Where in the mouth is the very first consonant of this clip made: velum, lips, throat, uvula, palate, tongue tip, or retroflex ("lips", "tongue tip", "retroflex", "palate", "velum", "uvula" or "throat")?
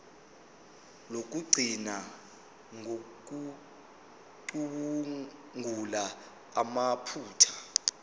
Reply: tongue tip